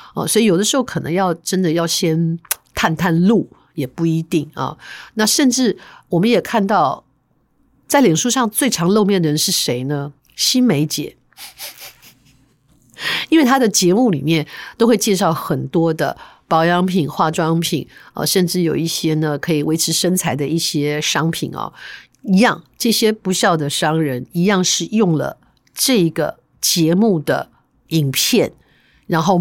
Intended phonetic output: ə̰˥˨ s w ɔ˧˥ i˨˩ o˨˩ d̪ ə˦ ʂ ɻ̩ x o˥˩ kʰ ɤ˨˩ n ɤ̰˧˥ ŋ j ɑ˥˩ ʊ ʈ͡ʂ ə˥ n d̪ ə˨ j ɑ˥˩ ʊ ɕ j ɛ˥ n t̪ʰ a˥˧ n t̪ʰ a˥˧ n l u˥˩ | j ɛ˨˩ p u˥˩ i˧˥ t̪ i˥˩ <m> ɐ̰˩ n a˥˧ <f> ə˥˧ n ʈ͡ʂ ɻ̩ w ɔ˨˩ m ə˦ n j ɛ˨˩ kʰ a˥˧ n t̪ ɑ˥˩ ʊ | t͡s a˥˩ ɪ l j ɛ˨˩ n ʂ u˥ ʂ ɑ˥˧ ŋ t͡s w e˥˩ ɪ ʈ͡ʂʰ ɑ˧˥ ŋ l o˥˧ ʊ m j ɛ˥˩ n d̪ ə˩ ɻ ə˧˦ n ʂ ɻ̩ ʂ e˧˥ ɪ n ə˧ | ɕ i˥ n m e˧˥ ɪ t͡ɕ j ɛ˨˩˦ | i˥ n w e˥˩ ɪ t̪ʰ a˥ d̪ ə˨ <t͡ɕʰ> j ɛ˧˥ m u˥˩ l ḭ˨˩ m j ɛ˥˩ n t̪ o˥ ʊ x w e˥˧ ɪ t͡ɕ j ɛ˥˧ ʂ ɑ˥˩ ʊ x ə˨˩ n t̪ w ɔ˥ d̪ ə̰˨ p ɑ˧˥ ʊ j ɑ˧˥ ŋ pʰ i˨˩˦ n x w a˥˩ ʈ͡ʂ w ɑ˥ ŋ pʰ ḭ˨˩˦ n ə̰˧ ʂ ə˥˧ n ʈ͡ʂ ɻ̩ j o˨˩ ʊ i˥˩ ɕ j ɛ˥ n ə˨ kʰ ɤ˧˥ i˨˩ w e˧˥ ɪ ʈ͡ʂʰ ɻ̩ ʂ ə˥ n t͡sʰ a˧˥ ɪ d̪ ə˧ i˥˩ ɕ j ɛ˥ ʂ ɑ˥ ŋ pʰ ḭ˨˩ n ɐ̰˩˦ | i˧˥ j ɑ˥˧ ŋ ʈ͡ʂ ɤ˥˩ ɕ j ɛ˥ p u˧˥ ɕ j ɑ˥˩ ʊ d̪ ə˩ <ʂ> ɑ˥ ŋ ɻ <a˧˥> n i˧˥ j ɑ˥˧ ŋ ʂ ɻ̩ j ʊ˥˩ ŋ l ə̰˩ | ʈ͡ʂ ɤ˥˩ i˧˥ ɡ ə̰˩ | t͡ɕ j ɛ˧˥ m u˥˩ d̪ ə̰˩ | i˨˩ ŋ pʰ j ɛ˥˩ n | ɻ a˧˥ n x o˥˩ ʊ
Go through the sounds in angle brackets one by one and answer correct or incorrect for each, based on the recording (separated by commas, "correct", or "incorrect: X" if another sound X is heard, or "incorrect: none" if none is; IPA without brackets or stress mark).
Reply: incorrect: ŋ, incorrect: ʂ, incorrect: t͡ɕ, correct, incorrect: ə˧˥